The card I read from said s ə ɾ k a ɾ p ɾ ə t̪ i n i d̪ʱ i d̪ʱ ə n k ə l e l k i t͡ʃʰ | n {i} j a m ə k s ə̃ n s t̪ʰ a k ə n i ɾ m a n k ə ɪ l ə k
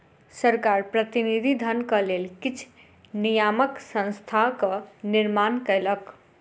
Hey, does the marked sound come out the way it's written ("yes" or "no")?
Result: yes